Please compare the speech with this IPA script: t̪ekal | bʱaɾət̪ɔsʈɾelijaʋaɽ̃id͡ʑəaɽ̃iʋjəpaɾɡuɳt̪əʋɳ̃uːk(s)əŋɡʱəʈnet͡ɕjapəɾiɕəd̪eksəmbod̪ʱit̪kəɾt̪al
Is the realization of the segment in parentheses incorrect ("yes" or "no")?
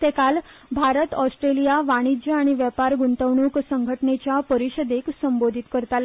no